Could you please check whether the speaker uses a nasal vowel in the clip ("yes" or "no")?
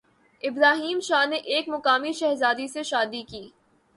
no